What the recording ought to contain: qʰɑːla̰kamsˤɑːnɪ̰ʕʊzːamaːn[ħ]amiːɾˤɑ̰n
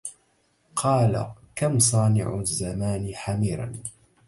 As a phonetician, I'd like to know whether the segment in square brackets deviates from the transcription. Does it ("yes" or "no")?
no